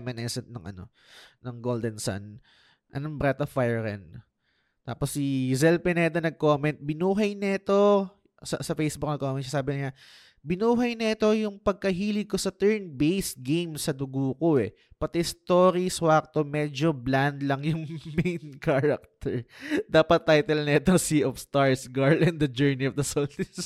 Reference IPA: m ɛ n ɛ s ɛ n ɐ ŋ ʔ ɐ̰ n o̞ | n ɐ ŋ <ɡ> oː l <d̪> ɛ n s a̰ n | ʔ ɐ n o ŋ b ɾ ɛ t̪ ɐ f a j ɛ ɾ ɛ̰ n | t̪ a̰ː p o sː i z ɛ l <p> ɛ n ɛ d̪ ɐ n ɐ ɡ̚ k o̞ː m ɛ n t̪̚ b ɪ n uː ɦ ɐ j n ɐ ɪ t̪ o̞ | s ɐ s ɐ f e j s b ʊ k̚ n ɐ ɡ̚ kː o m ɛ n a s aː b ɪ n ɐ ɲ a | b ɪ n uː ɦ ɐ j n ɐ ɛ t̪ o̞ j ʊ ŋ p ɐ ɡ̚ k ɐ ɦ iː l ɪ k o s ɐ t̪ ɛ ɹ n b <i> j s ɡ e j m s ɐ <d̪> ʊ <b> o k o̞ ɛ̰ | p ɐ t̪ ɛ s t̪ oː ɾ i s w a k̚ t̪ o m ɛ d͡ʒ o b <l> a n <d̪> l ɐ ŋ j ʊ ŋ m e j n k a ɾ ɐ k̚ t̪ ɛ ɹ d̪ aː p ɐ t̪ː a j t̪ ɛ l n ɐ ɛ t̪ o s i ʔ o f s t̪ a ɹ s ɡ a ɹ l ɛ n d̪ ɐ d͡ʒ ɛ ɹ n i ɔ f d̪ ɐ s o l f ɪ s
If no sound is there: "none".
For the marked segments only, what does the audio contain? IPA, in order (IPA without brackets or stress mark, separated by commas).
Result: ɡ, d̪, p, e, d̪, ɡ, l, d̪